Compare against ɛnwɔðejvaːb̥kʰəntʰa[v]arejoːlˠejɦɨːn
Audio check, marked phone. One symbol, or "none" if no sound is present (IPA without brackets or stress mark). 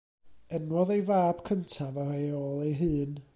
v